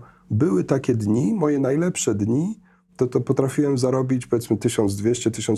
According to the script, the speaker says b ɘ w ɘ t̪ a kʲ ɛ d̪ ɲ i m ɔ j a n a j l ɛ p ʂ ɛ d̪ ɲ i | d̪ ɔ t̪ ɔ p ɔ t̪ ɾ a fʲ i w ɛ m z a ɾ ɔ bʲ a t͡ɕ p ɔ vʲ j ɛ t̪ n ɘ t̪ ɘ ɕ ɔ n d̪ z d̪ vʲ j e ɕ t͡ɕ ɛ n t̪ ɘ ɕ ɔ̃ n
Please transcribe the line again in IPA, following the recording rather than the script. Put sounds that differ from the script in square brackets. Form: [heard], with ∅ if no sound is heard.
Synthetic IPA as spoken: b ɘ w ɘ t̪ a kʲ ɛ d̪ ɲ i m ɔ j [ɛ] n a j l ɛ p ʂ ɛ d̪ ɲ i | [t̪] ɔ t̪ ɔ p ɔ t̪ ɾ a fʲ i w ɛ m z a ɾ ɔ bʲ [i] t͡ɕ p ɔ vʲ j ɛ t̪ [m] ɘ t̪ ɘ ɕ ɔ n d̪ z d̪ vʲ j e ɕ t͡ɕ ɛ [∅] t̪ ɘ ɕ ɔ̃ n